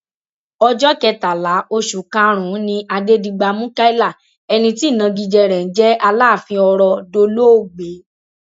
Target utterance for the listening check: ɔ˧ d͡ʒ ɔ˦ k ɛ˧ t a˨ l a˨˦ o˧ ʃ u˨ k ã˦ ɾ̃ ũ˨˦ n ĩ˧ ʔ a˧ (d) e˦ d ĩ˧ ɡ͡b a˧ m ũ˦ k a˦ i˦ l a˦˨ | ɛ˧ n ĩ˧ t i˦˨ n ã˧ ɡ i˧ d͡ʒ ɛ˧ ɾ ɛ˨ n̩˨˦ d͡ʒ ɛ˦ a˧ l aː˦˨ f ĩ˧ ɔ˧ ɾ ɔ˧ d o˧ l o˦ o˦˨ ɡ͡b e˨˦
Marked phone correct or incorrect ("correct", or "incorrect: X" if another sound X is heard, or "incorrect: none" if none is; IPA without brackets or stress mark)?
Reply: correct